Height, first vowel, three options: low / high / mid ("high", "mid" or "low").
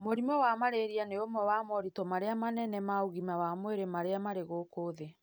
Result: mid